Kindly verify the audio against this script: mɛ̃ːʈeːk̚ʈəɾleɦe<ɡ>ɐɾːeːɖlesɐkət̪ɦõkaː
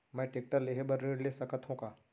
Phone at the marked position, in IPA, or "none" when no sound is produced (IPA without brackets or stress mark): b